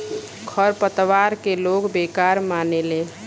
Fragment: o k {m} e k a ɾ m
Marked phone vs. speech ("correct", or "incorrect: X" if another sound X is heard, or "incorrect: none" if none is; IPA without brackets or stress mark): incorrect: b